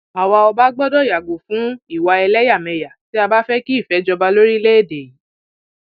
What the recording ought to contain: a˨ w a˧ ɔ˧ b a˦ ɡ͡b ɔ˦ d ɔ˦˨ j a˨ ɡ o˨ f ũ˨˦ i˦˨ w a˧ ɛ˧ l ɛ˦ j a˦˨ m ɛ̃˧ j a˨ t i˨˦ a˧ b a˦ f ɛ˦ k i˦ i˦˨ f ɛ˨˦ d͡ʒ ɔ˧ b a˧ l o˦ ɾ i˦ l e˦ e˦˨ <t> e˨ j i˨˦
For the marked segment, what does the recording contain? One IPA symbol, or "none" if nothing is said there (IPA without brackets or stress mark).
d